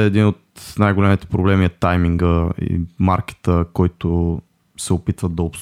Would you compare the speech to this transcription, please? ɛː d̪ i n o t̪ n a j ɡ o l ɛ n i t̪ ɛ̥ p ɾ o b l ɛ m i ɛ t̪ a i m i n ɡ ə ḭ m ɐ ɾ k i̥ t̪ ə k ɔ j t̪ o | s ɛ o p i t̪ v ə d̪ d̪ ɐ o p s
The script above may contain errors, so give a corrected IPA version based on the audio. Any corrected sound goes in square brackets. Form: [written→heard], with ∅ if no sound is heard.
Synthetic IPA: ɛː d̪ i n o t̪ n a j ɡ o l ɛ [n→m] i t̪ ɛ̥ p ɾ o b l ɛ m i ɛ t̪ a [i→j] m i [n→ŋ] ɡ ə ḭ m [ɐ→a] ɾ k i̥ t̪ ə k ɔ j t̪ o | s ɛ o p i t̪ v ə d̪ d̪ ɐ o p s